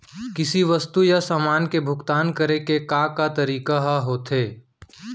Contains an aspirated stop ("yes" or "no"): no